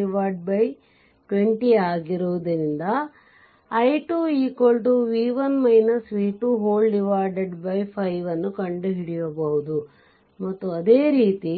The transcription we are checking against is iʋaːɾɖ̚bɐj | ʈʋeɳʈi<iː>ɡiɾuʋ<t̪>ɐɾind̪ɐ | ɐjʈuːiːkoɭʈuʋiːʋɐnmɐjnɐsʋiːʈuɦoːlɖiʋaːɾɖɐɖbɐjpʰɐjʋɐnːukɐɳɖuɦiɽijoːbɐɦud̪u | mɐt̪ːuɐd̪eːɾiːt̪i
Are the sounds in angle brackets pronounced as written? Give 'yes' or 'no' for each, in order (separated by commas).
no, no